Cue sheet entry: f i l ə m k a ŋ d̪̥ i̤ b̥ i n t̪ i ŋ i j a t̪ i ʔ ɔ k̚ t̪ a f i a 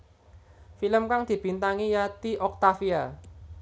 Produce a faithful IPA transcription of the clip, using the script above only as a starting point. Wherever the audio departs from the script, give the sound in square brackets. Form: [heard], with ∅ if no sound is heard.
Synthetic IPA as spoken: f i l ə m k a ŋ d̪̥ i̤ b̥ i n t̪ [a] ŋ i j a t̪ i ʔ ɔ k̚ t̪ a f i a